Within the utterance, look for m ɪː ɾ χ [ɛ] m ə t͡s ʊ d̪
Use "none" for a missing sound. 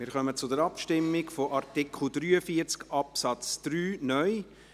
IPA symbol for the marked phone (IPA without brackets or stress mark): œ